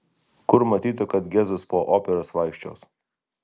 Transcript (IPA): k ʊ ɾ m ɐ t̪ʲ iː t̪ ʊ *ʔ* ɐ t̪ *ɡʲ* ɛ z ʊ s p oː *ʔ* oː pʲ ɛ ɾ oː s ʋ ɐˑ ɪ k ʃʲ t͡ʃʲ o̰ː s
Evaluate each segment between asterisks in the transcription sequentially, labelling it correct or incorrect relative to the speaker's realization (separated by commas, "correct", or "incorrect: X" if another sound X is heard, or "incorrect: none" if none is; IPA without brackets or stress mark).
incorrect: k, correct, correct